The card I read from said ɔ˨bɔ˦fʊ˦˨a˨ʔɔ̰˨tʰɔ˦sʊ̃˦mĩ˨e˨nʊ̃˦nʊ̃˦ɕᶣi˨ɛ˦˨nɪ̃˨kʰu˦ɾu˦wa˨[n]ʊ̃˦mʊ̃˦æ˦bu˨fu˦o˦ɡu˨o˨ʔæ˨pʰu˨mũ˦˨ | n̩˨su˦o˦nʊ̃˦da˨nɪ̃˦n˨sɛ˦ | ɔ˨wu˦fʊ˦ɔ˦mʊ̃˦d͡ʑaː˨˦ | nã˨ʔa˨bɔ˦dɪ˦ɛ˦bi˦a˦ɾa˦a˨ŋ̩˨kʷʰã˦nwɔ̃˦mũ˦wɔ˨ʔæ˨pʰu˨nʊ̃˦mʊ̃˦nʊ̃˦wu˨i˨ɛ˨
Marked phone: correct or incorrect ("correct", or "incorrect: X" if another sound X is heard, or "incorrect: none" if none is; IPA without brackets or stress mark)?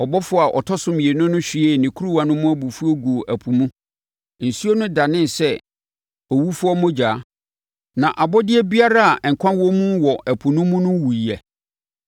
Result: correct